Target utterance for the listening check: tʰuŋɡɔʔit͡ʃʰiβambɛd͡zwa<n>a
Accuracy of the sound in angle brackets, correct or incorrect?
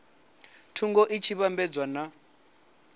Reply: correct